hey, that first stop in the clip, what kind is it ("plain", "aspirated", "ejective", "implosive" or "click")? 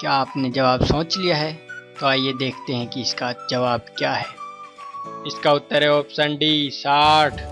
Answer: plain